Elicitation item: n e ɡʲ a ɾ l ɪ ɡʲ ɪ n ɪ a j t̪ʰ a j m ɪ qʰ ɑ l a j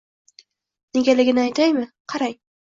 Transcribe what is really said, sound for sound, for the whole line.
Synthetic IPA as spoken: n e ɡʲ a l ɪ ɡʲ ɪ n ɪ a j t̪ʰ a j m ɪ qʰ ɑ ɾ a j